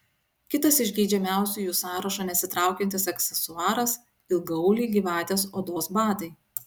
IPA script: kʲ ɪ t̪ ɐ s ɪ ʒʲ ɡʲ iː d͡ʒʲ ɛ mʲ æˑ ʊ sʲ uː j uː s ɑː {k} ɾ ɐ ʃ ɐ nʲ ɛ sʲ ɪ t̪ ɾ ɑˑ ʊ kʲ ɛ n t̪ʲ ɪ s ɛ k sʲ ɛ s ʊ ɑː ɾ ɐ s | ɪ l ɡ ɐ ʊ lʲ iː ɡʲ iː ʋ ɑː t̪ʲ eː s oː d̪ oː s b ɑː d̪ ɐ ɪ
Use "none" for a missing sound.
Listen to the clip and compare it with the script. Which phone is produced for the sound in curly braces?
none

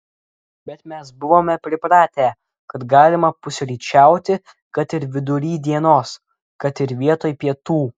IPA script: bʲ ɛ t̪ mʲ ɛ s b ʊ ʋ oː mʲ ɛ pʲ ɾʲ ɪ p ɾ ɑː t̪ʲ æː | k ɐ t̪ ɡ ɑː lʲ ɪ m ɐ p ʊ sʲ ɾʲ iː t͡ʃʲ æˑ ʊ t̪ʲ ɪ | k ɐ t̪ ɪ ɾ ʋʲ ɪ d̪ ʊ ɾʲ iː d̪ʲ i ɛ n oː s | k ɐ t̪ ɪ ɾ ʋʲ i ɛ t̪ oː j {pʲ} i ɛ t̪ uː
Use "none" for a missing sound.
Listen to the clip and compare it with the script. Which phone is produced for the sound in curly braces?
pʲ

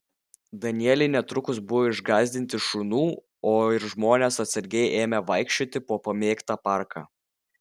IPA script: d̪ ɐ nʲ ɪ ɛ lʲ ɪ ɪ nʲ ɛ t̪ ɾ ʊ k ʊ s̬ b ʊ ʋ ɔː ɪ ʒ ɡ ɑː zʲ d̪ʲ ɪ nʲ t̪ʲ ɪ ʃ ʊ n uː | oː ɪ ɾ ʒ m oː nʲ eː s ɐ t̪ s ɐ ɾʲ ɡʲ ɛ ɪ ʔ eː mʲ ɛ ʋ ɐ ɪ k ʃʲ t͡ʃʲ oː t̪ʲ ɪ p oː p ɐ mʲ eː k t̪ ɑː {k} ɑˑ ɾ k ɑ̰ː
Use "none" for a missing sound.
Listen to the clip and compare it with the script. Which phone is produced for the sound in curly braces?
p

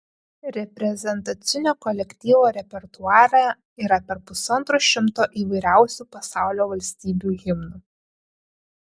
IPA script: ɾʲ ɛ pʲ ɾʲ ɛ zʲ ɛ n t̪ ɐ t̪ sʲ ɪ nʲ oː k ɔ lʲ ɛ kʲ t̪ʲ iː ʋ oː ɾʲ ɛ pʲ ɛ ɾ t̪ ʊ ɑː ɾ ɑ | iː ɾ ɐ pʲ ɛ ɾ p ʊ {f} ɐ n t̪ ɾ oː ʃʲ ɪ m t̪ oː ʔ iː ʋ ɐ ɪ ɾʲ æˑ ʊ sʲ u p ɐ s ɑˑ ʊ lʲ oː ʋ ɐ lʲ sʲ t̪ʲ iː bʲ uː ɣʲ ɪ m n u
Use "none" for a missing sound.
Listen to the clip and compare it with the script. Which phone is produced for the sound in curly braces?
s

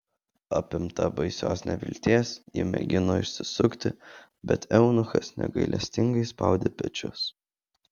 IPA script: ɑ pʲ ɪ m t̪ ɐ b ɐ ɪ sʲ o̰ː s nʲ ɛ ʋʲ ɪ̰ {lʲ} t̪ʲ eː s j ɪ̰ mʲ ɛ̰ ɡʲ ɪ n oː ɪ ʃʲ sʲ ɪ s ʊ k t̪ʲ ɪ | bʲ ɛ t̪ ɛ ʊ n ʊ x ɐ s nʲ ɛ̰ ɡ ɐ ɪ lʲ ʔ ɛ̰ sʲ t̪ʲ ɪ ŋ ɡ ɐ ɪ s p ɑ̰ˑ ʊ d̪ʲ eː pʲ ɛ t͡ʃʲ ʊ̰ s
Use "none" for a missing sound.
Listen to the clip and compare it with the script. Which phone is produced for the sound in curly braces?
lʲ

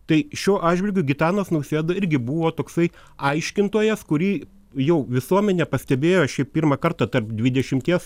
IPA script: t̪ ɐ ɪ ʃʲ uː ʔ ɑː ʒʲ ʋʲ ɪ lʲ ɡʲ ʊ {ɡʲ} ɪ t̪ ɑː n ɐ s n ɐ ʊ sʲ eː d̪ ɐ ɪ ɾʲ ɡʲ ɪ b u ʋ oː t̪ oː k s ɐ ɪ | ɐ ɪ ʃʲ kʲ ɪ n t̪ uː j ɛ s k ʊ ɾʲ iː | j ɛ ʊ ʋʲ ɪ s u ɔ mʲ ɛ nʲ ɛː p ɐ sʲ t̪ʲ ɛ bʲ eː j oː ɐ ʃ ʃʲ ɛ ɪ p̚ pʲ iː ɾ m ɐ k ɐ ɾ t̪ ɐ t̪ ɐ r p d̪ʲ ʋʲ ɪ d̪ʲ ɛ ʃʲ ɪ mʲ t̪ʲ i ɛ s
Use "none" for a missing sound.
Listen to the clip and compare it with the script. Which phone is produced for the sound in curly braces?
ɡʲ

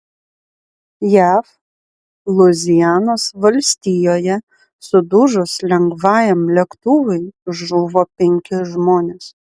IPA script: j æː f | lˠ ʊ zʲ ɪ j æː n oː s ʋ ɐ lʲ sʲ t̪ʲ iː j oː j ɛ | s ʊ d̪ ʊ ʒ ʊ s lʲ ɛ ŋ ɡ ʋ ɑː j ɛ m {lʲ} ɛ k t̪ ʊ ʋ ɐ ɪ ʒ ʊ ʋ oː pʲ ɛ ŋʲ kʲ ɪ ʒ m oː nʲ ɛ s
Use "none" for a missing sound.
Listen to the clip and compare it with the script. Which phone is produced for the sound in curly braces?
lʲ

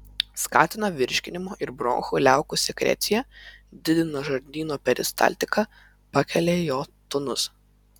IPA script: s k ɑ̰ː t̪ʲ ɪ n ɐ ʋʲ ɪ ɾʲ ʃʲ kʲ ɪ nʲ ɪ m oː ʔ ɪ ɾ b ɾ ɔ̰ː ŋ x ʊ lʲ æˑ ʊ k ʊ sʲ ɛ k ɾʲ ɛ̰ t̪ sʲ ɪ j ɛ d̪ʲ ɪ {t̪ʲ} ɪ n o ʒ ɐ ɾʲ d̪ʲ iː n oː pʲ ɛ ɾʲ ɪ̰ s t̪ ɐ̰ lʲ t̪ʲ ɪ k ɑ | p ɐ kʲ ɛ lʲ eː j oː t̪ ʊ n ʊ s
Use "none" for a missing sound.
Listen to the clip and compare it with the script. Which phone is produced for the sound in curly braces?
d̪ʲ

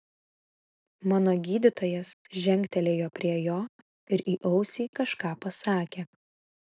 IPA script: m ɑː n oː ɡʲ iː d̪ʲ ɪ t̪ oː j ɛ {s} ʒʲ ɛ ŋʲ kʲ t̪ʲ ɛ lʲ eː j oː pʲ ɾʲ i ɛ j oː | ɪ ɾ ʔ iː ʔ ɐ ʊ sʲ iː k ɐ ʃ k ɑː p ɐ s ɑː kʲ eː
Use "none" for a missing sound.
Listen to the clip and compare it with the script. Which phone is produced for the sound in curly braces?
s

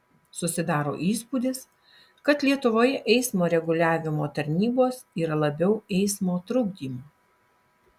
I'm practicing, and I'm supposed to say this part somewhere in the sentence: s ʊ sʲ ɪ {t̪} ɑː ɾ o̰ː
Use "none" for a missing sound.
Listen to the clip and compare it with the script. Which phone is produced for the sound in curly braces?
d̪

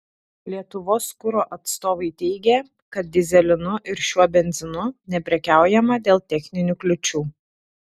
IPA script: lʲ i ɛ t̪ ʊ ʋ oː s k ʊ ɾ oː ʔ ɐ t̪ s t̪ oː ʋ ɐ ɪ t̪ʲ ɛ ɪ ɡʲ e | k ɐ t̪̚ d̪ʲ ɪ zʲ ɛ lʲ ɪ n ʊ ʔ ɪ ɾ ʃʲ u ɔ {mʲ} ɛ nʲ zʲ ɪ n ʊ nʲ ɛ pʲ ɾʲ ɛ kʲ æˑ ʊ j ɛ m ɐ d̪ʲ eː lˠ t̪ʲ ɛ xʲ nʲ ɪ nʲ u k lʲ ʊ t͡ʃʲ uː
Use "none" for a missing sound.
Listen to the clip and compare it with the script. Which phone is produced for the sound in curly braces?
bʲ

